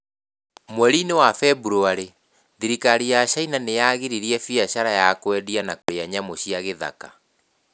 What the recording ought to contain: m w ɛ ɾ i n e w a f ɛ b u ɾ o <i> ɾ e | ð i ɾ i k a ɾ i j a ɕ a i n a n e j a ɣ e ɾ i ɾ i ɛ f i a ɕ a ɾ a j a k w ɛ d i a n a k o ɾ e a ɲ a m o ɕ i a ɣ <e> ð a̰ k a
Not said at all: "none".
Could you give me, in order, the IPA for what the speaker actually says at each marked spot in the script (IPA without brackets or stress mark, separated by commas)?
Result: a, e